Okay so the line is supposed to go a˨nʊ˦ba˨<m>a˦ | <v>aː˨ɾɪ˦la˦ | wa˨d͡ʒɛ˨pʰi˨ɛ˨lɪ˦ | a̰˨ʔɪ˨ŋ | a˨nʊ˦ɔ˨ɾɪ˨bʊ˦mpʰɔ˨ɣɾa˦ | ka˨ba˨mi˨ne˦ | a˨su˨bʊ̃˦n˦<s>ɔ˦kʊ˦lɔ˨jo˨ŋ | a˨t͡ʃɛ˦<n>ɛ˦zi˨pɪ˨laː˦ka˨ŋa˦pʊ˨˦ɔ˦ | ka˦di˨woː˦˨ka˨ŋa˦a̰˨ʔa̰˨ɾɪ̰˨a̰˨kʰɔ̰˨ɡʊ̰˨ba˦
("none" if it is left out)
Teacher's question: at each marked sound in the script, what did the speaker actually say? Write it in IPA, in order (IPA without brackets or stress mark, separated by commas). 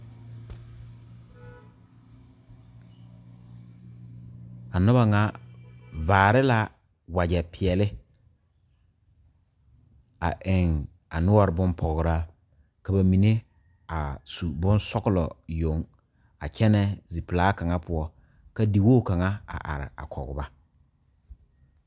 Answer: ŋ, v, s, n